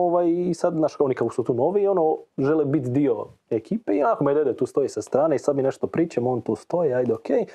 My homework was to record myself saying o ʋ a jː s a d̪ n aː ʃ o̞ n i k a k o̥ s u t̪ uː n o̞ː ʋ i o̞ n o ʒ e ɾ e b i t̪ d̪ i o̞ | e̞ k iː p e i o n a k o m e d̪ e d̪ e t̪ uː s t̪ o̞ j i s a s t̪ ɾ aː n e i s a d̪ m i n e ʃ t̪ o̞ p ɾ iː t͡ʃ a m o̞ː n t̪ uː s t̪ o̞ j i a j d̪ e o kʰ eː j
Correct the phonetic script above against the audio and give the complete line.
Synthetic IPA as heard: o ʋ a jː s a d̪ n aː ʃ o̞ n i k a k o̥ s u t̪ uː n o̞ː ʋ i o̞ n o ʒ e l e b i t̪ d̪ i o̞ | e̞ k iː p e i o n a k o m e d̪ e d̪ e t̪ uː s t̪ o̞ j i s a s t̪ ɾ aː n e i s a d̪ m i n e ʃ t̪ o̞ p ɾ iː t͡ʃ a m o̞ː n t̪ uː s t̪ o̞ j i a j d̪ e o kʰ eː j